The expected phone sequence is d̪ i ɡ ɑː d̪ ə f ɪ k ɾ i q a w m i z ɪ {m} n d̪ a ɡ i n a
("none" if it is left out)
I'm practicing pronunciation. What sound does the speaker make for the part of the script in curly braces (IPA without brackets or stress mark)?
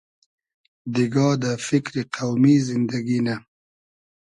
none